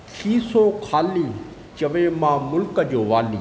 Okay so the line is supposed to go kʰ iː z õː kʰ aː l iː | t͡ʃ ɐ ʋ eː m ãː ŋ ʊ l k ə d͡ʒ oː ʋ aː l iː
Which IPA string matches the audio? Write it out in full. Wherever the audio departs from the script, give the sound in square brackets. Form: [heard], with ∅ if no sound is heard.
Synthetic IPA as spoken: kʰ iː [s] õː kʰ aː l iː | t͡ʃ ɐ ʋ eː m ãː [m] ʊ l k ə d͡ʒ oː ʋ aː l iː

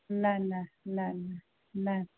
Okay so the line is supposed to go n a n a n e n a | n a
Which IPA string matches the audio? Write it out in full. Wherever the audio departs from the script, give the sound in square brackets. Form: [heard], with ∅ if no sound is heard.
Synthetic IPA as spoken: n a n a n [a] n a | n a

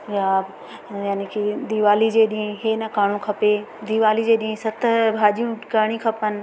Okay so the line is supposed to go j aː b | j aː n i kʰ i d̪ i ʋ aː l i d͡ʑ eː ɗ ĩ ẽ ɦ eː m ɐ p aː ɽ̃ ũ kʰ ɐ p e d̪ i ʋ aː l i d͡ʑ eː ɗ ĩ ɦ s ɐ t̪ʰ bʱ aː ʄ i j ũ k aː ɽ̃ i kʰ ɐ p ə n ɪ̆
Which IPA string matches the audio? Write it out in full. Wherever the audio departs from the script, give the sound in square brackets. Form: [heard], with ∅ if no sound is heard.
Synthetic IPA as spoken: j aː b | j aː n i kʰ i d̪ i ʋ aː l i d͡ʑ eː ɗ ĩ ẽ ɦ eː [n] ɐ [k] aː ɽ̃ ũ kʰ ɐ p e d̪ i ʋ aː l i d͡ʑ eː ɗ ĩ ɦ s ɐ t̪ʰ bʱ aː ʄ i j ũ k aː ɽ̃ i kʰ ɐ p ə n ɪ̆

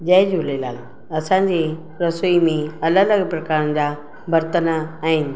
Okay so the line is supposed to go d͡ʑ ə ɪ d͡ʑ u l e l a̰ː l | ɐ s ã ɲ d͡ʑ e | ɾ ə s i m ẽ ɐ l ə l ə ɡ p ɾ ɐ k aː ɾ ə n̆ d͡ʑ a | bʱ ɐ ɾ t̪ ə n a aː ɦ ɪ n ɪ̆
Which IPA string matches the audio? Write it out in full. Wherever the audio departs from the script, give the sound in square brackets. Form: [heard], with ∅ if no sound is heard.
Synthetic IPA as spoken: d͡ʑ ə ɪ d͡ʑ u l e l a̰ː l | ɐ s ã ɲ d͡ʑ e | ɾ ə s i m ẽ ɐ l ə l ə ɡ p ɾ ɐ k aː ɾ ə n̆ d͡ʑ a | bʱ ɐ ɾ t̪ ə n a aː ɦ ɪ n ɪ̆

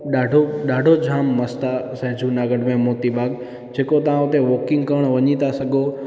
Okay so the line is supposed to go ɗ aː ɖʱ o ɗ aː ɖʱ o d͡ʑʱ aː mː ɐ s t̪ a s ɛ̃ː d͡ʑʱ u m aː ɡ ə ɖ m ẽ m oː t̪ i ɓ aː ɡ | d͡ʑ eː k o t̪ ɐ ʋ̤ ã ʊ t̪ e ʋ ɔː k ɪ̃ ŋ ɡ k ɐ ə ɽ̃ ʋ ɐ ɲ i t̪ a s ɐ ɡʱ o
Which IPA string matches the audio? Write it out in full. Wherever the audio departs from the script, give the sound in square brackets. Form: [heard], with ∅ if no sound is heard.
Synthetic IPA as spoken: ɗ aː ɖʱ o ɗ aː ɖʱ o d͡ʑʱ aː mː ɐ s t̪ a s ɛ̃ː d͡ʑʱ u [n] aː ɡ ə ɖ m ẽ m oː t̪ i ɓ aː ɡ | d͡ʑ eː k o t̪ ɐ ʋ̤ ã ʊ t̪ e ʋ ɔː k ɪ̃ ŋ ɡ k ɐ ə ɽ̃ ʋ ɐ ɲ i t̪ a s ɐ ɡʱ o

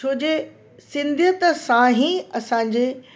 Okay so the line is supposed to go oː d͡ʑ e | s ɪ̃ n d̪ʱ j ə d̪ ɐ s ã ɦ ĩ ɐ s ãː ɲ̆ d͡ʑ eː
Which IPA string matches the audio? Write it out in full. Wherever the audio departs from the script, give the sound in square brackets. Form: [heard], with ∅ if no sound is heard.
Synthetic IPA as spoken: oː d͡ʑ e | s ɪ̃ n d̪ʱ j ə [t̪] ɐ s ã ɦ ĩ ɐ s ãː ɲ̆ d͡ʑ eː

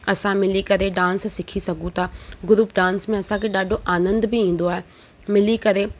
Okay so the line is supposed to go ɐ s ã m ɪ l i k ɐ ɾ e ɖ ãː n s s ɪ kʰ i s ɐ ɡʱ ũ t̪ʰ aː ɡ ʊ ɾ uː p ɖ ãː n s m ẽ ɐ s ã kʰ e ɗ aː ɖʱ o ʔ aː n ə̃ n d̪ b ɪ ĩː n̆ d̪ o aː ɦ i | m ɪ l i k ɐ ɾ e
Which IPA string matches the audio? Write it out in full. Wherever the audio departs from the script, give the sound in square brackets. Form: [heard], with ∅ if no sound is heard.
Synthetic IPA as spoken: ɐ s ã m ɪ l i k ɐ ɾ e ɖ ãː n s s ɪ kʰ i s ɐ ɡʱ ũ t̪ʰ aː ɡ ʊ ɾ uː p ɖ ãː n s m ẽ ɐ s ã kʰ e ɗ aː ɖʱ o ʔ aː n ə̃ n d̪ b ɪ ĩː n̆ d̪ o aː ɦ [e] | m ɪ l i k ɐ ɾ e

